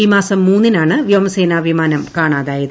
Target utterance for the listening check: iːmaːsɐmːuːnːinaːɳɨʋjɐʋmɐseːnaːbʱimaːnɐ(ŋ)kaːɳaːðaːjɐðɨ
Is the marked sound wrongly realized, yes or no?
yes